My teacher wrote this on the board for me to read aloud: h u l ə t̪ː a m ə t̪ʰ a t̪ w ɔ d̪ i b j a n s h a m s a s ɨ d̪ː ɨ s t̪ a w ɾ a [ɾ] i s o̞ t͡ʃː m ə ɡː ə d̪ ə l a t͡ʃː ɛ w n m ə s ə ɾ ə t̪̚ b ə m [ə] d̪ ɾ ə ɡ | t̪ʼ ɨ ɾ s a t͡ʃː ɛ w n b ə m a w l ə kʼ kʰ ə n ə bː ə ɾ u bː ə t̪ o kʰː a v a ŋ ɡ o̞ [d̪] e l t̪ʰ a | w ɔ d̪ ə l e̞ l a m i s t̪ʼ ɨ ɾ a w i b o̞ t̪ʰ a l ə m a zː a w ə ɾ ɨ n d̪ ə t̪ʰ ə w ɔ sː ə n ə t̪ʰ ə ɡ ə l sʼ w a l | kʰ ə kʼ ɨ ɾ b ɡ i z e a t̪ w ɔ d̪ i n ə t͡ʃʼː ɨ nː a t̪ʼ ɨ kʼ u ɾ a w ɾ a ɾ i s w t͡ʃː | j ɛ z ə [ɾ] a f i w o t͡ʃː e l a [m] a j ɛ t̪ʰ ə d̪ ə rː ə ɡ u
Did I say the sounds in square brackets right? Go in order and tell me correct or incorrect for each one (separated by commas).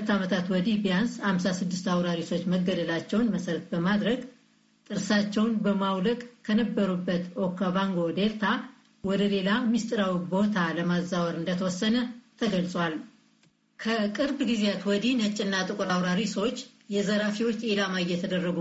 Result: correct, incorrect, correct, correct, correct